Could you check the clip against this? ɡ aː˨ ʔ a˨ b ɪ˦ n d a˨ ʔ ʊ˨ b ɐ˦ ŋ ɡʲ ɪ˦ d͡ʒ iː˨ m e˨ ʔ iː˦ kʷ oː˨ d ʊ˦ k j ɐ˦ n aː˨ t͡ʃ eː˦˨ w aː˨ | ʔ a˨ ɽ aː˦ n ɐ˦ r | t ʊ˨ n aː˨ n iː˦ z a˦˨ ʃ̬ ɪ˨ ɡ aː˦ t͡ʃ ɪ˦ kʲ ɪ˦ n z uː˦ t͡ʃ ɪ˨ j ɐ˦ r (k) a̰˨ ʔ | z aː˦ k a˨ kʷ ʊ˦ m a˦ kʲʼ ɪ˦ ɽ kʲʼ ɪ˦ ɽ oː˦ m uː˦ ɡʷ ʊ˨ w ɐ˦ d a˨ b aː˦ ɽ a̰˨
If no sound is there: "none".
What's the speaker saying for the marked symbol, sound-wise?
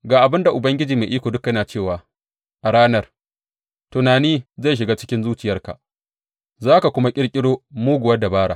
k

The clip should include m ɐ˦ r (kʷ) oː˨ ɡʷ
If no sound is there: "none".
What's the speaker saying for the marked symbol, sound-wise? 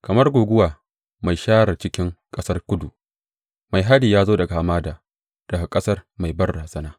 ɡʷ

